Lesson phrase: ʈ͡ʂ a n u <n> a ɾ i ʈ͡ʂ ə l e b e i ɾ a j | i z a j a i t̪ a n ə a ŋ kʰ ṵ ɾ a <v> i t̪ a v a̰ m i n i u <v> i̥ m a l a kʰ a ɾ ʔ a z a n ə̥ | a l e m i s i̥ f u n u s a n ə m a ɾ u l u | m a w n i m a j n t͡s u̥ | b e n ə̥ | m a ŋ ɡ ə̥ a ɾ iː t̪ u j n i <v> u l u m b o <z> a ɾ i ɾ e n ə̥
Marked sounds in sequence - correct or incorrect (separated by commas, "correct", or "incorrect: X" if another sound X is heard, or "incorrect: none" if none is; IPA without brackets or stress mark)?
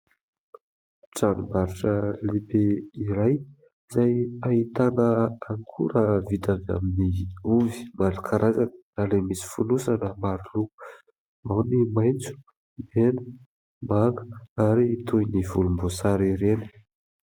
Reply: incorrect: m, correct, correct, correct, incorrect: s